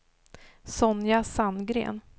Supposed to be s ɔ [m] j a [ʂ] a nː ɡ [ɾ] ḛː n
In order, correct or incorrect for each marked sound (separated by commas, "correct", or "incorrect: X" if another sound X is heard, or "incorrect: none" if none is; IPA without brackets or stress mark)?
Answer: incorrect: n, incorrect: s, correct